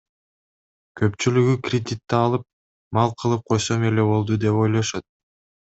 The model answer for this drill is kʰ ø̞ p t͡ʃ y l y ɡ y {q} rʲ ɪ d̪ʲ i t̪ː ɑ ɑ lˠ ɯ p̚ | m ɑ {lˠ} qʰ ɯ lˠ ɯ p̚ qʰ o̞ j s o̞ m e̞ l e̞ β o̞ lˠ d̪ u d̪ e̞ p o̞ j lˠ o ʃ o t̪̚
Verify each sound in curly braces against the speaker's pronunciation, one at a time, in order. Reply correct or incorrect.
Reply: incorrect, correct

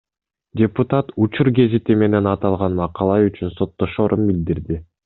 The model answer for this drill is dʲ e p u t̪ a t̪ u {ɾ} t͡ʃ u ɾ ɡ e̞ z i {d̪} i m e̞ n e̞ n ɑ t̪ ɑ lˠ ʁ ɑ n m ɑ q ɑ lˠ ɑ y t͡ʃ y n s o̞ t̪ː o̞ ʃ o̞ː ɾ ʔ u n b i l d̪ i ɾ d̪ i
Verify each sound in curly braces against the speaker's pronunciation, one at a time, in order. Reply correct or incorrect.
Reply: incorrect, incorrect

